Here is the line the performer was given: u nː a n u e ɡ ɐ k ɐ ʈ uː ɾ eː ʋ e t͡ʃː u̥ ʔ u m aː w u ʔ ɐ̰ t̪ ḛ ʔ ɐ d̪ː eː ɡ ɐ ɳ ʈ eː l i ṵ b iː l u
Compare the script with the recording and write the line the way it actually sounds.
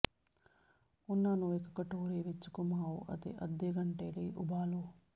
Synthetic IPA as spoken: u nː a n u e k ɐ k ɐ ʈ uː ɾ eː ʋ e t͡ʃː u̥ k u m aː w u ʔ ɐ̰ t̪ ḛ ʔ ɐ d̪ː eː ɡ ɐ ɳ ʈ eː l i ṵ b aː l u